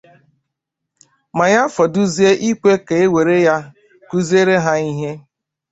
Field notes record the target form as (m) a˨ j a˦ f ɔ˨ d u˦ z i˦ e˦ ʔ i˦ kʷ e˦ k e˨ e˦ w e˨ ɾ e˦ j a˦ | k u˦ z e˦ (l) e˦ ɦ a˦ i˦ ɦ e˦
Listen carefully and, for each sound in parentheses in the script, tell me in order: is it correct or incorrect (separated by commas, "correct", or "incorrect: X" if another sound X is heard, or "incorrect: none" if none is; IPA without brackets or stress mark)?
correct, incorrect: ɾ